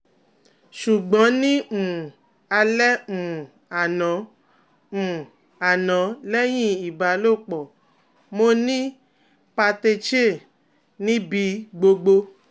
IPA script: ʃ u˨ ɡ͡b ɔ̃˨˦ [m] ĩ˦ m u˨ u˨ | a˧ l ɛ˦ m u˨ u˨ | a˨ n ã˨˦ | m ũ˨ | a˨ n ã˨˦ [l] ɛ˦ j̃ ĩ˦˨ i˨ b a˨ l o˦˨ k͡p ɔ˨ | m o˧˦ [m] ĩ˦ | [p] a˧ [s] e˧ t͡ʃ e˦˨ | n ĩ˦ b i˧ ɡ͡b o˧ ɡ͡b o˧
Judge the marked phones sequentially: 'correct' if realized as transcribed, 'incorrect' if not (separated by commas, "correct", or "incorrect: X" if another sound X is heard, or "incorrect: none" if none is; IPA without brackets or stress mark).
incorrect: n, correct, incorrect: n, correct, incorrect: t